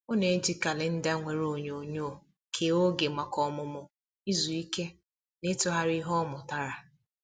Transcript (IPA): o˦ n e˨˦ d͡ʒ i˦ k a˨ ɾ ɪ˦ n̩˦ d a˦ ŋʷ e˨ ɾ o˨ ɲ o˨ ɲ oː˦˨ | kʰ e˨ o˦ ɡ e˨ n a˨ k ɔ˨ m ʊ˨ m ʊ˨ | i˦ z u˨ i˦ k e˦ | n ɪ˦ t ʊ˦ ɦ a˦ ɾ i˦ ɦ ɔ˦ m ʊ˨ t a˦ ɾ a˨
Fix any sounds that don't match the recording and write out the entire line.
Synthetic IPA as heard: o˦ n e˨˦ d͡ʒ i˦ k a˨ l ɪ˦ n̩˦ d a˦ ŋʷ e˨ ɾ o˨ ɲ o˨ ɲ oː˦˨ | kʰ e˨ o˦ ɡ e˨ m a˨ k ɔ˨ m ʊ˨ m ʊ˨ | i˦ z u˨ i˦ k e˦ | n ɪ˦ t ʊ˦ ɦ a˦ ɾ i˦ ɦ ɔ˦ m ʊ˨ t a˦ ɾ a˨